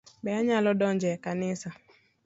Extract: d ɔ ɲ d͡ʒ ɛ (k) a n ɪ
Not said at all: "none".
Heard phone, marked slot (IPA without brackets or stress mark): k